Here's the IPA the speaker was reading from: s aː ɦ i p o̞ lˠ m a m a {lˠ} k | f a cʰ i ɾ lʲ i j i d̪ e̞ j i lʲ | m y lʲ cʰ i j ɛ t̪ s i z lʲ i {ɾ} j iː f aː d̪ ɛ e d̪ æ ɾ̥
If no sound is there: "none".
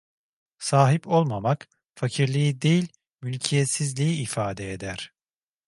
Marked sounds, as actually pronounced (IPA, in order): none, none

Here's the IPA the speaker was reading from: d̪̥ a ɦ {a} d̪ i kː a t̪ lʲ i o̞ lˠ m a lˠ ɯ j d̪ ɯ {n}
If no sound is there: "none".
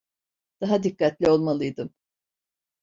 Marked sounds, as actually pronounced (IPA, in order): a, m

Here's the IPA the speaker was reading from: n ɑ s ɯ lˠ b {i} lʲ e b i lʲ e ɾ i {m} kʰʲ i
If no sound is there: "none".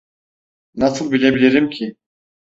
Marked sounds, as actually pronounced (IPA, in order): i, m

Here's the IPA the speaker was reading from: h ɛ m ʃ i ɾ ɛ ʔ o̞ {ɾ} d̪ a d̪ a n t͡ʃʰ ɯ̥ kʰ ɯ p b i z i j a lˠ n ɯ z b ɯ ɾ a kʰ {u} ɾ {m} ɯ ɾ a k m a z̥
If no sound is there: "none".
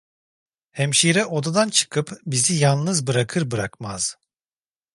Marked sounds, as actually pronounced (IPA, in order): none, ɯ, b

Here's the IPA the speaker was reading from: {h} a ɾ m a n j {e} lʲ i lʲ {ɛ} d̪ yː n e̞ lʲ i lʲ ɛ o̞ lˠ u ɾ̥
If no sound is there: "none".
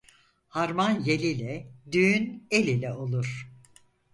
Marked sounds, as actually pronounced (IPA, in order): h, e, ɛ

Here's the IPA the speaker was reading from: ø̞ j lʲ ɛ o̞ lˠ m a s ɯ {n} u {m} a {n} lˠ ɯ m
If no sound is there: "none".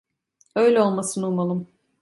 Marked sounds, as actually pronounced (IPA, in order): n, m, none

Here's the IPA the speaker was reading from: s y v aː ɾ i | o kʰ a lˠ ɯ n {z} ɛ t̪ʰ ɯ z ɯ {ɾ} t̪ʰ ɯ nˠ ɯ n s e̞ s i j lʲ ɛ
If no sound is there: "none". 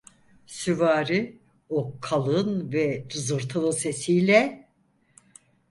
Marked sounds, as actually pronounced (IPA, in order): v, ɾ

